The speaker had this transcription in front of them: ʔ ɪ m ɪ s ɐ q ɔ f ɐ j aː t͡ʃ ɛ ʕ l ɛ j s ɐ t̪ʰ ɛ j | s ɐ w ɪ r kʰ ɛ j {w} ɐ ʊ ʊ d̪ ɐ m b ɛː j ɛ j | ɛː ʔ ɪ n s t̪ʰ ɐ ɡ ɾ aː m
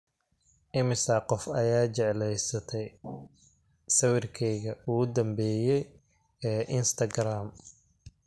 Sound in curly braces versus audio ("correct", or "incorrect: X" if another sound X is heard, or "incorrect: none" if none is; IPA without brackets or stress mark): incorrect: ɣ